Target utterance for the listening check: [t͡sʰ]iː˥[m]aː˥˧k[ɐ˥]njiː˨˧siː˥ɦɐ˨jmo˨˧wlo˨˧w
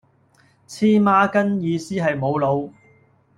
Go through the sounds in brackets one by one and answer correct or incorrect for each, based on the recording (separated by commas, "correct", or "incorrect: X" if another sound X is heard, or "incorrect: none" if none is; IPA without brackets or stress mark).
correct, correct, correct